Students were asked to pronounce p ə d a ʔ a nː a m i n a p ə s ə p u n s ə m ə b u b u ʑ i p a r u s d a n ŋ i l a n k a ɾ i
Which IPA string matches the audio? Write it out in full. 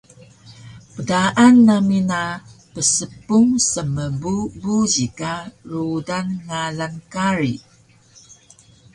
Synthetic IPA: p ə d a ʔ a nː a m i n a p ə s ə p u ŋ s ə m ə b u b u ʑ i k a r u d a n ŋ a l a n k a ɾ i